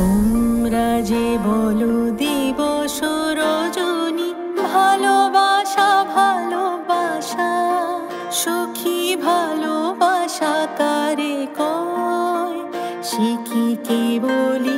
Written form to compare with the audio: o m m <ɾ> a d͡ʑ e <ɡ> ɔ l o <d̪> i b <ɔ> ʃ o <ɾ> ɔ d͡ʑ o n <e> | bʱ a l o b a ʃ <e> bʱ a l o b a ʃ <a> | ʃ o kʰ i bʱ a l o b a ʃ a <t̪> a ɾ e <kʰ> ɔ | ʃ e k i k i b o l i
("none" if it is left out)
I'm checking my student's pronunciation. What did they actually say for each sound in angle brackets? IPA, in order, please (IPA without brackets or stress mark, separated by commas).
ɾ, b, d̪, ɔ, ɾ, i, a, a, t̪, k